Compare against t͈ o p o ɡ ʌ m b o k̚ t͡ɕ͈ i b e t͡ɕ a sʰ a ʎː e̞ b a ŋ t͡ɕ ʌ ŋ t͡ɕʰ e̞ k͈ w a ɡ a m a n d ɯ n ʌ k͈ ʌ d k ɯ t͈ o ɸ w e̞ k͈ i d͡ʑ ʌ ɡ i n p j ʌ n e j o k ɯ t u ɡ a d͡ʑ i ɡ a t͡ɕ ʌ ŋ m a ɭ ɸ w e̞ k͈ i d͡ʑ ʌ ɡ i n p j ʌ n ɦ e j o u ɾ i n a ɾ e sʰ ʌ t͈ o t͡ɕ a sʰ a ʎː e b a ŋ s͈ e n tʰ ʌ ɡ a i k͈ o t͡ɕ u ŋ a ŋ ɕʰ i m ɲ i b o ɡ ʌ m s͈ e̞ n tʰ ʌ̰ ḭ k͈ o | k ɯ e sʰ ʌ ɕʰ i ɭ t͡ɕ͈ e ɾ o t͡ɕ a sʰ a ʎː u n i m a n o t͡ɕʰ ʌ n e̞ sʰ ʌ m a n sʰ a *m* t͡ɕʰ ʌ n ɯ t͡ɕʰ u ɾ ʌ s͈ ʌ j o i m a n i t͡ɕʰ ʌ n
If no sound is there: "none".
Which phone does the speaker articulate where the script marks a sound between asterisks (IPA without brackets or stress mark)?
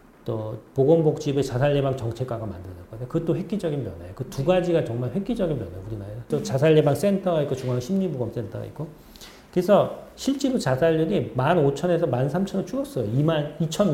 m